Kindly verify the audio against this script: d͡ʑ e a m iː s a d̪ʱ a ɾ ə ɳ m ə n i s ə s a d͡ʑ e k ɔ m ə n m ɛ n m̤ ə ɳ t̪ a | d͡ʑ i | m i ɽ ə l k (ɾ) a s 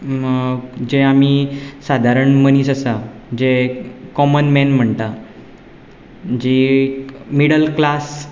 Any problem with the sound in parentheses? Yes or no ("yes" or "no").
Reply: yes